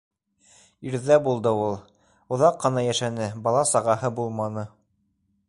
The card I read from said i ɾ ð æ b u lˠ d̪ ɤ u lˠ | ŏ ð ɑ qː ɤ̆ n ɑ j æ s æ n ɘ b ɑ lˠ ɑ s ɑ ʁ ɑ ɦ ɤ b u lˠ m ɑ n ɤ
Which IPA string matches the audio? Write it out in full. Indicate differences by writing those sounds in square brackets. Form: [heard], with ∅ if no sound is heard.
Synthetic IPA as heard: i ɾ ð æ b u lˠ d̪ ɤ u lˠ | ŏ ð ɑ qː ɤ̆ n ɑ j æ [ʃ] æ n ɘ b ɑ lˠ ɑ s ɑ ʁ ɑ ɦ ɤ b u lˠ m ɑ n ɤ